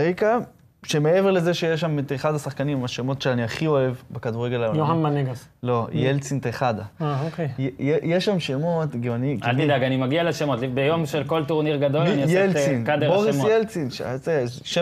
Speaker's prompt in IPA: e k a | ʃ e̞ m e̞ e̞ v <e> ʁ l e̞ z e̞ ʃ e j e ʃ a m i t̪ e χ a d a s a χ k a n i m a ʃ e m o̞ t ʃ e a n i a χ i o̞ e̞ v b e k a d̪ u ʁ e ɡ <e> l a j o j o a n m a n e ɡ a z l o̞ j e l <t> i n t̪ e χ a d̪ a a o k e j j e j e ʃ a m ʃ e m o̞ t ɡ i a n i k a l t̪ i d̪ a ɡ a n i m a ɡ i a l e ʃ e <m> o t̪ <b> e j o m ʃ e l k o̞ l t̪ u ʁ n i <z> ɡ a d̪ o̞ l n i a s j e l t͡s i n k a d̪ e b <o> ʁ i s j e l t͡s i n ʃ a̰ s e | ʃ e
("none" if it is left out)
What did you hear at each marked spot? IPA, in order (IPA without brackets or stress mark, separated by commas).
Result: e, e, t͡s, m, b, ʁ, o